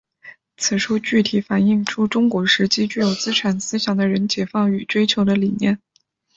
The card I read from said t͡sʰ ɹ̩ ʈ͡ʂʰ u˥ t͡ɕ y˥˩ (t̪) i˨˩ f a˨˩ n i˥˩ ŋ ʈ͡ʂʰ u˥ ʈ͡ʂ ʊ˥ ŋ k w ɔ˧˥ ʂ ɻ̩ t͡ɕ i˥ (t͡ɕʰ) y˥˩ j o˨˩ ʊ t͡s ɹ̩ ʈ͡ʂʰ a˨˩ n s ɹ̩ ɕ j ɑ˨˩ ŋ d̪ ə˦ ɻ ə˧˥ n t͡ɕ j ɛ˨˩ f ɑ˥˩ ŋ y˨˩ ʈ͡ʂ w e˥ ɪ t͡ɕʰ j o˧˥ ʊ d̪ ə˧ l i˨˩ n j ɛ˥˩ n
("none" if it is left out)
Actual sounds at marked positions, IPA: t̪ʰ, t͡ɕ

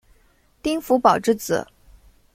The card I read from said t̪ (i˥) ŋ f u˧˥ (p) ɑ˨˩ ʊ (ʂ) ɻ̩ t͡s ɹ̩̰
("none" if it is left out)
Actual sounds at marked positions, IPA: i˥, p, ʈ͡ʂ

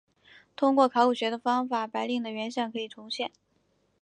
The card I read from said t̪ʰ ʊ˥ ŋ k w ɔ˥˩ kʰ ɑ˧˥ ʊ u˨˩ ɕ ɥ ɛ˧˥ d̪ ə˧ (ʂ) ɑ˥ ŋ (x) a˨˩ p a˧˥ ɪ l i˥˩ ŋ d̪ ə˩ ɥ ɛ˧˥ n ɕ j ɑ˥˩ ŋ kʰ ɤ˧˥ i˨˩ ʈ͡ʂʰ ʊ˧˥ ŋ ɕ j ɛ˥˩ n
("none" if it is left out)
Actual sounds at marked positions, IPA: f, f

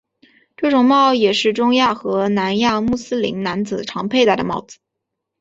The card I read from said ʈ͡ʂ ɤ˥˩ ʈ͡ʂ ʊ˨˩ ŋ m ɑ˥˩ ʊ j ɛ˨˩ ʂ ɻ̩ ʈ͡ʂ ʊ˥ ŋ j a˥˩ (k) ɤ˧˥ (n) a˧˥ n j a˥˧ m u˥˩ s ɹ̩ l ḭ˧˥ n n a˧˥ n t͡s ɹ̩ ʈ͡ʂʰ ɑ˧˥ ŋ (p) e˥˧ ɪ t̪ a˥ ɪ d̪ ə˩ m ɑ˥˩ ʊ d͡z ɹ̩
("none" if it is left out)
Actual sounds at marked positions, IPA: x, n, pʰ

